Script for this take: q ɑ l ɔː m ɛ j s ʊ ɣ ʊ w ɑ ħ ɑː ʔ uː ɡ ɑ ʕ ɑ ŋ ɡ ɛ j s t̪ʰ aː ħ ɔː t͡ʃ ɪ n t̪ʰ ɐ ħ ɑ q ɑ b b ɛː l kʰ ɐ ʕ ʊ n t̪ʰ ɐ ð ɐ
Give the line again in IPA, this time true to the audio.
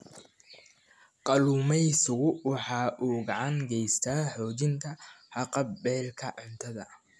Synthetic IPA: q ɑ l uː m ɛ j s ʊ ɣ ʊ w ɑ ħ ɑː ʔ uː ɡ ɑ ʕ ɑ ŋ ɡ ɛ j s t̪ʰ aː ħ ɔː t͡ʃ ɪ n t̪ʰ ɐ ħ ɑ q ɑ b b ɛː l kʰ ɐ ʕ ʊ n t̪ʰ ɐ ð ɐ